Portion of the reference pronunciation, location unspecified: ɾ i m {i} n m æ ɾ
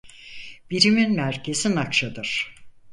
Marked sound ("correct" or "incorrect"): correct